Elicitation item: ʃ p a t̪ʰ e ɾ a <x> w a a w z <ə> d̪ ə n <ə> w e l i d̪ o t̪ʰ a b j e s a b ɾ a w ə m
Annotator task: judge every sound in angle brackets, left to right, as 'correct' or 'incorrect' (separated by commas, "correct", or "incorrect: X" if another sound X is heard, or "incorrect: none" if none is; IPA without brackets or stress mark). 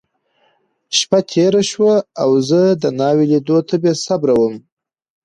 incorrect: ʃ, correct, incorrect: ɑ